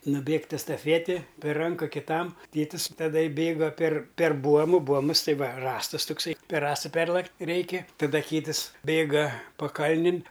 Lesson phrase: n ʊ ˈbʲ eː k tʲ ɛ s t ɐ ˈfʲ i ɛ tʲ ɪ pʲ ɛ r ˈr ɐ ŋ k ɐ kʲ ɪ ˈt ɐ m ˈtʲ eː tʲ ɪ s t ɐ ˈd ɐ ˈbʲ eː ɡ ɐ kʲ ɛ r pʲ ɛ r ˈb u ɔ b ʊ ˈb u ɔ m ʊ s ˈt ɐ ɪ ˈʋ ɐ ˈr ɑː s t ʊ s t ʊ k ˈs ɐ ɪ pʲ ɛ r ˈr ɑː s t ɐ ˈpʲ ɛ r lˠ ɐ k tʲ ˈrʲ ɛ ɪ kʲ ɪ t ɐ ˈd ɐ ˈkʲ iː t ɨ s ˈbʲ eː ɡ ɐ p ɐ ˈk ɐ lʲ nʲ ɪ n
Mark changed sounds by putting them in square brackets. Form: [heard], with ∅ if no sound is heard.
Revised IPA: n ʊ ˈbʲ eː k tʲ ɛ s t ɐ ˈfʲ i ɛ tʲ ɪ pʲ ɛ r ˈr ɐ ŋ k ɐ kʲ ɪ ˈt ɐ m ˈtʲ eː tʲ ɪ s t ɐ ˈd ɐ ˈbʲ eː ɡ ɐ [pʲ] ɛ r pʲ ɛ r ˈb u ɔ [m] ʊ ˈb u ɔ m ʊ s ˈt ɐ ɪ ˈʋ ɐ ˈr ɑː s t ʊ s t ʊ k ˈs ɐ ɪ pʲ ɛ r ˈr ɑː s t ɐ ˈpʲ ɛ r lˠ ɐ k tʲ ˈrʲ ɛ ɪ kʲ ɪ t ɐ ˈd ɐ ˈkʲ iː t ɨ s ˈbʲ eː ɡ ɐ p ɐ ˈk ɐ lʲ nʲ ɪ n

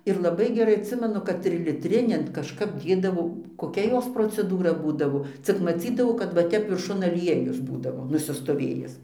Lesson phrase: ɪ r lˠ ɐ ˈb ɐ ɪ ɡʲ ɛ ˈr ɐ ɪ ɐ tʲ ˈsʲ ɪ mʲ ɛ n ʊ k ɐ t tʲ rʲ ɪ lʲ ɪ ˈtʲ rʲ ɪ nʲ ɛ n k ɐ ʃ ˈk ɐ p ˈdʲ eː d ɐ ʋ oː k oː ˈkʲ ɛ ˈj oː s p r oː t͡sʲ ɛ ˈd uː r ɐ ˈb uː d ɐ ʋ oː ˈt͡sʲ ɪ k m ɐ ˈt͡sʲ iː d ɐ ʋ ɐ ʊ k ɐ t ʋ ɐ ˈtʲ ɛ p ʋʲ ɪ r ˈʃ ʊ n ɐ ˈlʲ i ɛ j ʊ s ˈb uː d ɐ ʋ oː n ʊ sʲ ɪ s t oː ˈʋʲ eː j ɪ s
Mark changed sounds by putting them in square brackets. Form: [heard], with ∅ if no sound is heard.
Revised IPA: ɪ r lˠ ɐ ˈb ɐ ɪ ɡʲ ɛ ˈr ɐ ɪ ɐ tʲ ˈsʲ ɪ mʲ ɛ n ʊ k ɐ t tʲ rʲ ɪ lʲ ɪ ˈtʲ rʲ ɪ nʲ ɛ n k ɐ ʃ ˈk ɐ p ˈdʲ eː d ɐ ʋ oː k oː ˈkʲ ɛ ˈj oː s p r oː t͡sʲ ɛ ˈd uː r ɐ ˈb uː d ɐ ʋ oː ˈt͡sʲ ɪ k m ɐ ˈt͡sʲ iː d ɐ ʋ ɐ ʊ k ɐ t ʋ ɐ ˈtʲ ɛ p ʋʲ ɪ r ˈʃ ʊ n ɐ ˈlʲ i ɛ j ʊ s ˈb uː d ɐ ʋ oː n ʊ sʲ ɪ s t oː ˈʋʲ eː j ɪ s

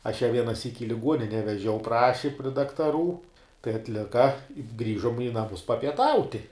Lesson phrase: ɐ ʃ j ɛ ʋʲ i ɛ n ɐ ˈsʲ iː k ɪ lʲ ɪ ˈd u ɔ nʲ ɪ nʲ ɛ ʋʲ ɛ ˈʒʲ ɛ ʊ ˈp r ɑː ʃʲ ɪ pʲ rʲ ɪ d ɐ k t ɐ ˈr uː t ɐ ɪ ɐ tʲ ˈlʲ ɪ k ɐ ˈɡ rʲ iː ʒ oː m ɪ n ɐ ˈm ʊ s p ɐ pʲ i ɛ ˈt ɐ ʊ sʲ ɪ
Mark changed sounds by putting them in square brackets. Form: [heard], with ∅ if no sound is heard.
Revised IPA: ɐ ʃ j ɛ ʋʲ i ɛ n ɐ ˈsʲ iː k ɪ lʲ ɪ [ˈɡ] u ɔ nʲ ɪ nʲ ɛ ʋʲ ɛ ˈʒʲ ɛ ʊ ˈp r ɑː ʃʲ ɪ pʲ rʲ ɪ d ɐ k t ɐ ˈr uː t ɐ ɪ ɐ tʲ ˈlʲ ɪ k ɐ ˈɡ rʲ iː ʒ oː m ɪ n ɐ ˈm ʊ s p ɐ pʲ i ɛ ˈt ɐ ʊ [tʲ] ɪ

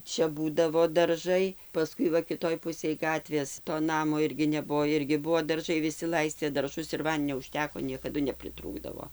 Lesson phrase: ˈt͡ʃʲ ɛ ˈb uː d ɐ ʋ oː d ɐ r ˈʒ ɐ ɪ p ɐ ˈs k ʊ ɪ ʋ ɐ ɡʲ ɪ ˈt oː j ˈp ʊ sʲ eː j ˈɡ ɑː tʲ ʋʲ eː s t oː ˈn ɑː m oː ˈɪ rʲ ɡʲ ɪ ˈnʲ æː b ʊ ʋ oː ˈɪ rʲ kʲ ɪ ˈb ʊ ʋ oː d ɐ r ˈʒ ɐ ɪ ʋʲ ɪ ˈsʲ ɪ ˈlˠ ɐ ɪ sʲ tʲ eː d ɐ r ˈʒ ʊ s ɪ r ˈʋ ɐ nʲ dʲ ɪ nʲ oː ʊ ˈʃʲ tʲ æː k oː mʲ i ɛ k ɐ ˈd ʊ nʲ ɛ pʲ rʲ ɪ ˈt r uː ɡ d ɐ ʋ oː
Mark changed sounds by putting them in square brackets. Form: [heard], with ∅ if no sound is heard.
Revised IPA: ˈt͡ʃʲ ɛ ˈb uː d ɐ ʋ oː d ɐ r ˈʒ ɐ ɪ p ɐ ˈs k ʊ ɪ ʋ ɐ [kʲ] ɪ ˈt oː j ˈp ʊ sʲ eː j ˈɡ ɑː tʲ ʋʲ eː s t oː ˈn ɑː m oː ˈɪ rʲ ɡʲ ɪ ˈnʲ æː b ʊ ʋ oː ˈɪ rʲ [ɡʲ] ɪ ˈb ʊ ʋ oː d ɐ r ˈʒ ɐ ɪ ʋʲ ɪ ˈsʲ ɪ ˈlˠ ɐ ɪ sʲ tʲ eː d ɐ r ˈʒ ʊ s ɪ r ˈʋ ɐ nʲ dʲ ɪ nʲ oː ʊ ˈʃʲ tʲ æː k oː [nʲ] i ɛ k ɐ ˈd ʊ nʲ ɛ pʲ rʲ ɪ ˈt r uː ɡ d ɐ ʋ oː

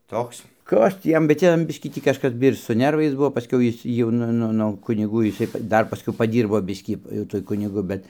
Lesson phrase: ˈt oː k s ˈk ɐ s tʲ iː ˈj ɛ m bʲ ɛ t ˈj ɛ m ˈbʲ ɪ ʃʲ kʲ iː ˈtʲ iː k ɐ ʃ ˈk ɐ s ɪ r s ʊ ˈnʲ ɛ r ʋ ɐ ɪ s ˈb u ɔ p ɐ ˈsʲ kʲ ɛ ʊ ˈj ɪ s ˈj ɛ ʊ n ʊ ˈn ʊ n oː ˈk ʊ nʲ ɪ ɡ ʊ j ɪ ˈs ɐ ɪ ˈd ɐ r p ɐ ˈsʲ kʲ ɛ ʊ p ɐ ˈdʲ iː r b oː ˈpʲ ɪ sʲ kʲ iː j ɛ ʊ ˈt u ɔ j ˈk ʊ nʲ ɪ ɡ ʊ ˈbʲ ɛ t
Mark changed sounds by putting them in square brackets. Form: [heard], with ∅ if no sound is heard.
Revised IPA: ˈt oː k s ˈk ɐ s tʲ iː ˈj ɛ m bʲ ɛ t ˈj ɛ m ˈbʲ ɪ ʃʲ kʲ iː ˈtʲ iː k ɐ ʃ ˈk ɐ s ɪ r s ʊ ˈnʲ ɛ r ʋ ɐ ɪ s ˈb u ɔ p ɐ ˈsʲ kʲ ɛ ʊ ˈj ɪ s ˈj ɛ ʊ n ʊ ˈn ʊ n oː ˈk ʊ nʲ ɪ ɡ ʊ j ɪ ˈs ɐ ɪ ˈd ɐ r p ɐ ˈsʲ kʲ ɛ ʊ p ɐ ˈdʲ iː r b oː [ˈbʲ] ɪ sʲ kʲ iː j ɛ ʊ ˈt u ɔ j ˈk ʊ nʲ ɪ ɡ ʊ ˈbʲ ɛ t

